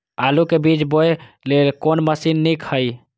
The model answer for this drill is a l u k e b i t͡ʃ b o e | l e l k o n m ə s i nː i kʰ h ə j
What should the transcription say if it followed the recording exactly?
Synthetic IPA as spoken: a l u k e b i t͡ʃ b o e | l e l k o n m ə s i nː i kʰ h ə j

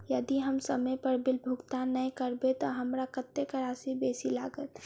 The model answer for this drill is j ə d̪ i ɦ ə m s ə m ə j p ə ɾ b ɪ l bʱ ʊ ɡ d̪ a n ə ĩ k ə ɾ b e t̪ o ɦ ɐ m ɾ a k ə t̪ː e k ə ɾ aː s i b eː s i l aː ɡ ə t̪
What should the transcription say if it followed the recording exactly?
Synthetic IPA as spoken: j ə d̪ i ɦ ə m s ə m ə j p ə ɾ b ɪ l bʱ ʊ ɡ t̪ a n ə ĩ k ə ɾ b e t̪ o ɦ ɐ m ɾ a k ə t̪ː e k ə ɾ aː s i b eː s i l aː ɡ ə t̪

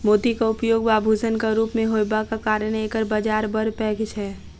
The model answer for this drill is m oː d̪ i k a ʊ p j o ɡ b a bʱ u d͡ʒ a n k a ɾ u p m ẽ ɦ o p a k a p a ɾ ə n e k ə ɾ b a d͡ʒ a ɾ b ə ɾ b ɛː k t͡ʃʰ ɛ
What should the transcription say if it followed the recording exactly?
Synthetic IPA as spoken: m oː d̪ i k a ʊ p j o ɡ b a bʱ u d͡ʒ ə n k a ɾ u p m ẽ ɦ o b a k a k a ɾ ə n e k ə ɾ b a d͡ʒ a ɾ b ə ɾ p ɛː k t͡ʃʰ ɛ

